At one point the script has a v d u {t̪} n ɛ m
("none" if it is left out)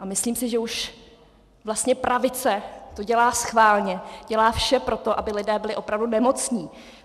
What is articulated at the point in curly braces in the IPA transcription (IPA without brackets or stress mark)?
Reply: none